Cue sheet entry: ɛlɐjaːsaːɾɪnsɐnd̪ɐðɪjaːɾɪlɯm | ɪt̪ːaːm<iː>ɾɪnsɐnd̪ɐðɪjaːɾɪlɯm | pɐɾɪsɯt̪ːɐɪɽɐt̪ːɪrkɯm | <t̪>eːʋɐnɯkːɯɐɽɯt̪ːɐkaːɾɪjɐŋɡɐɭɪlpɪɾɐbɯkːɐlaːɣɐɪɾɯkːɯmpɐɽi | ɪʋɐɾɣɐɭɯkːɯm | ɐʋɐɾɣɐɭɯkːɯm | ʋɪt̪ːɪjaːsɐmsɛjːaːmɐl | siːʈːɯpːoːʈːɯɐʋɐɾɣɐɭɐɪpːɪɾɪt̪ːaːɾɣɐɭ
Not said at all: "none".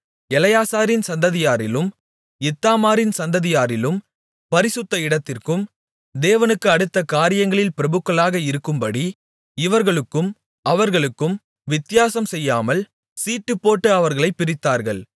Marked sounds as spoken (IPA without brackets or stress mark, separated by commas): aː, d̪